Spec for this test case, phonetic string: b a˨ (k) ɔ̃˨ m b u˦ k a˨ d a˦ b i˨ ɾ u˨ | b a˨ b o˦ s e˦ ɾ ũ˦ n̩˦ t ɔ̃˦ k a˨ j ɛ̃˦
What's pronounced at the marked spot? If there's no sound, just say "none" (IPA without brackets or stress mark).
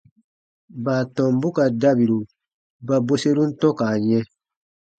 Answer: t